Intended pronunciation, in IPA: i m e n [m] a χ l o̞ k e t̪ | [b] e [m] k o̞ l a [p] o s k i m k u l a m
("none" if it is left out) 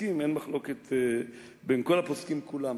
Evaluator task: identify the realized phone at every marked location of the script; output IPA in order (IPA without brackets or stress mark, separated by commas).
m, b, n, p